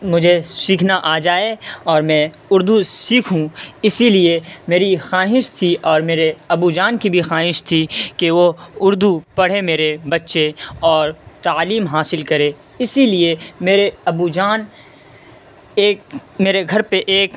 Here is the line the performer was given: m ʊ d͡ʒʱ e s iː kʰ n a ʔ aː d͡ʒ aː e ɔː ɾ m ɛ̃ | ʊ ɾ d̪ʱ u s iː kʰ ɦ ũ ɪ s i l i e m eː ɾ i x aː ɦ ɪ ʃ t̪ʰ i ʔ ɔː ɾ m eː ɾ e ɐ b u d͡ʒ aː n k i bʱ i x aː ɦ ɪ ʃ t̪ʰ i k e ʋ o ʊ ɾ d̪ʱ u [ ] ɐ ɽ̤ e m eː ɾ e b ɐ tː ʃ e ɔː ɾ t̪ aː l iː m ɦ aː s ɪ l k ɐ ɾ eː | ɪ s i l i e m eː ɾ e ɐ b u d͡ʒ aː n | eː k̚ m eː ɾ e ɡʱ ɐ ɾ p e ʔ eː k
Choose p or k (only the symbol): p